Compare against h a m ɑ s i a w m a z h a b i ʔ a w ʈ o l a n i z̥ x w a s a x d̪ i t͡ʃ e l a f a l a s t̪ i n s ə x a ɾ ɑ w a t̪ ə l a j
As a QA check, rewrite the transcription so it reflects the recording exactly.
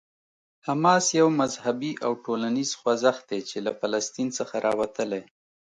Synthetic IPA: h a m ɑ s j a w m a z h a b i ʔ a w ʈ o l a n i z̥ x w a z a x d̪ e t͡ʃ e l a f a l a s t̪ i n s ə x a ɾ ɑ w a t̪ ə l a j